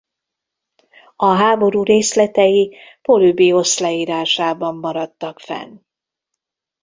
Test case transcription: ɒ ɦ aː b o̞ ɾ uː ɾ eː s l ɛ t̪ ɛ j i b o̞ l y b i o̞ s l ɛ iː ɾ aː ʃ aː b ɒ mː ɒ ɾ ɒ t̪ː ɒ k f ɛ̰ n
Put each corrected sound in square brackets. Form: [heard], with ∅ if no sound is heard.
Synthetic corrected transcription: ɒ ɦ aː b o̞ ɾ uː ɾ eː s l ɛ t̪ ɛ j i [p] o̞ l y b i o̞ s l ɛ iː ɾ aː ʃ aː b ɒ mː ɒ ɾ ɒ t̪ː ɒ k f ɛ̰ n